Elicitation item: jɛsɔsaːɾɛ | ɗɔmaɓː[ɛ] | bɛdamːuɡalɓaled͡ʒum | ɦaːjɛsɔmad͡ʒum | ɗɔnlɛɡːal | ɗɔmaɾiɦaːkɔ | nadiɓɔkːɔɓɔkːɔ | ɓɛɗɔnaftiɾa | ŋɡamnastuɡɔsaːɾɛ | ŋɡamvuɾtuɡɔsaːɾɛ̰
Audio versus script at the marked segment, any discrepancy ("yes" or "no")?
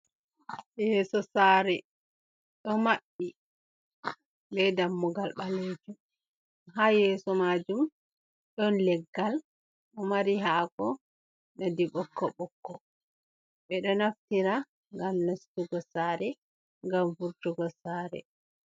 yes